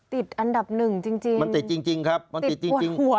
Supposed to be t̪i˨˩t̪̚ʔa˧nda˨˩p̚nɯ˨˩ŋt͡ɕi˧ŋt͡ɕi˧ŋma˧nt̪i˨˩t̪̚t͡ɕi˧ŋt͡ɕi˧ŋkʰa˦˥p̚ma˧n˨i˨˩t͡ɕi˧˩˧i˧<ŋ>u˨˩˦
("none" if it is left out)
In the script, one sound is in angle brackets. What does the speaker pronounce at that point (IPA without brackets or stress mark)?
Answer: ŋ